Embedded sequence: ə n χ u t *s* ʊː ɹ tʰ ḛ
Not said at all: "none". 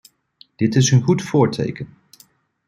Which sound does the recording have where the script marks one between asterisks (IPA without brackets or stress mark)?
f